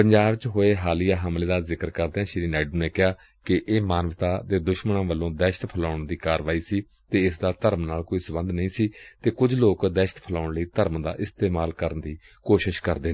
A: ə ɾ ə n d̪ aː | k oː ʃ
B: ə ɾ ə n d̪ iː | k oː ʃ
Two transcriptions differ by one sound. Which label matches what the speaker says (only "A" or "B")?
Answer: B